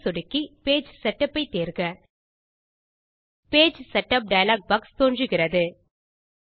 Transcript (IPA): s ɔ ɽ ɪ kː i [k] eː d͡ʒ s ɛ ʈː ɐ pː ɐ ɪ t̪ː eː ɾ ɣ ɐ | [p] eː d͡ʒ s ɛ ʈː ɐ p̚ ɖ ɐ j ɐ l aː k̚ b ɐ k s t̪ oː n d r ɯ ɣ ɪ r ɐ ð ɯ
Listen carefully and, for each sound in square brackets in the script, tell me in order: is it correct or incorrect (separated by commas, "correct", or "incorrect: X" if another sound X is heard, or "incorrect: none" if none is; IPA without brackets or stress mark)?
incorrect: p, correct